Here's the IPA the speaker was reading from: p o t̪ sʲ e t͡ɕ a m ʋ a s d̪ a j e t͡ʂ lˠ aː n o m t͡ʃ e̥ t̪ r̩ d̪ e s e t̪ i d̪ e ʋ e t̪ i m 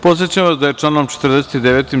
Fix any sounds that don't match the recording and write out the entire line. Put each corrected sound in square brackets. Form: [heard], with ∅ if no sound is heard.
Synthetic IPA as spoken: p o t̪ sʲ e t͡ɕ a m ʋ a s d̪ a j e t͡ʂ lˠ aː n o m t͡ʃ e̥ t̪ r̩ d̪ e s e t̪ i d̪ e ʋ e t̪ i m